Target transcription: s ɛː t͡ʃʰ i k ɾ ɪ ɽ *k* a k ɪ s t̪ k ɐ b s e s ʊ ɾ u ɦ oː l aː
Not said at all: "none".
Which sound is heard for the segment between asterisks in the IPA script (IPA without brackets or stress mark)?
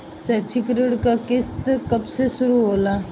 k